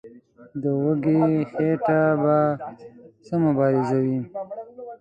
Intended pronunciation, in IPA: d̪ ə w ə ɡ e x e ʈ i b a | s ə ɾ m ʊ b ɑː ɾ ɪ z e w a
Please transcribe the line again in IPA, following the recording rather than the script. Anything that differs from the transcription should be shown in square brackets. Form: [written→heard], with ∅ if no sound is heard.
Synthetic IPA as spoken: d̪ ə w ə ɡ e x e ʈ [i→a] b a | s ə [ɾ→∅] m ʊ b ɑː ɾ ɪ z [e→a] w [a→i]